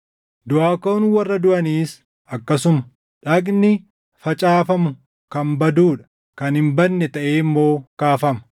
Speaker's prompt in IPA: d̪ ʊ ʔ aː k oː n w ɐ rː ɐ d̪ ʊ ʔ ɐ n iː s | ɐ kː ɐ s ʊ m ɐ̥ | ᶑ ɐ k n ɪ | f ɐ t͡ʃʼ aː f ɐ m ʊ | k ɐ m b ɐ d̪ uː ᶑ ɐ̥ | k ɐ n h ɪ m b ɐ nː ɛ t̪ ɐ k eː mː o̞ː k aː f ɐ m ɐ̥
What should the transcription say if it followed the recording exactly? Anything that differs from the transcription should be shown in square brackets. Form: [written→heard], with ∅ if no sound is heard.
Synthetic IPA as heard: d̪ ʊ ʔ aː k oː n w ɐ rː ɐ d̪ ʊ ʔ ɐ n iː s | ɐ kː ɐ s ʊ m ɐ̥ | ᶑ ɐ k n ɪ | f ɐ t͡ʃʼ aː f ɐ m ʊ | k ɐ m b ɐ d̪ uː ᶑ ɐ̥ | k ɐ n h ɪ m b ɐ nː ɛ t̪ ɐ [k→ʔ] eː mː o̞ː k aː f ɐ m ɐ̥